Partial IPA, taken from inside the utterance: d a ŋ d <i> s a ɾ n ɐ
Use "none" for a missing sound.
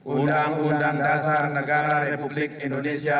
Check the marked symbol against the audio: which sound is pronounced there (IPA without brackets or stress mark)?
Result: a